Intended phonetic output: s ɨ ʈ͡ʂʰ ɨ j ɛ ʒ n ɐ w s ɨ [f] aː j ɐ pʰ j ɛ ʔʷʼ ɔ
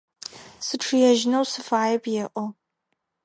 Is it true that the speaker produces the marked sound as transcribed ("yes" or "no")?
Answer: yes